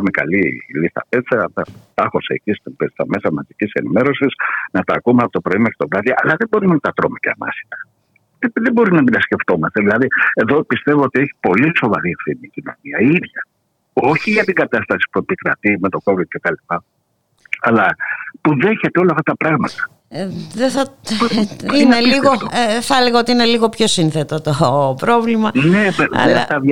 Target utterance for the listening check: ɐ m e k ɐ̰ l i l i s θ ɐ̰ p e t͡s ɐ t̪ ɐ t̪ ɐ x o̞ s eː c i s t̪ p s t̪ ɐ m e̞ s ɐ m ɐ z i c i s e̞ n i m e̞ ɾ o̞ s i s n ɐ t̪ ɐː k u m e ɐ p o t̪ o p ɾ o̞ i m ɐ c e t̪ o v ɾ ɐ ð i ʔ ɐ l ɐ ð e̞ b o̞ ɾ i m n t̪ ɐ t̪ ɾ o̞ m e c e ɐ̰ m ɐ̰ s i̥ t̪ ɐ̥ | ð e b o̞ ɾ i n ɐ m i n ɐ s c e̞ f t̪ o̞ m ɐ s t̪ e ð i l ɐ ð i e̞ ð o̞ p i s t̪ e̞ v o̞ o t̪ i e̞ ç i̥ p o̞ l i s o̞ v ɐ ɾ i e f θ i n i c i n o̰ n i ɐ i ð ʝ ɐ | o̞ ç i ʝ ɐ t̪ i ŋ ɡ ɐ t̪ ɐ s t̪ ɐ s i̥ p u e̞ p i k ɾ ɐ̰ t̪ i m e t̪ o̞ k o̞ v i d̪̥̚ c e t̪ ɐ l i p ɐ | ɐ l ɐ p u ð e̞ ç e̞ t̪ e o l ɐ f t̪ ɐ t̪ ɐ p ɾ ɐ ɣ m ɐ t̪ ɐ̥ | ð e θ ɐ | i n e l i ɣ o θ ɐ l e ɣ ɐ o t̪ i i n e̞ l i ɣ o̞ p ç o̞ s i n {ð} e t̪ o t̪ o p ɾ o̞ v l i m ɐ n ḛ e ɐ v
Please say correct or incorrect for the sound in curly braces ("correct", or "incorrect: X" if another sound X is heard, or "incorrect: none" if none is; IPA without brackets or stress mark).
incorrect: θ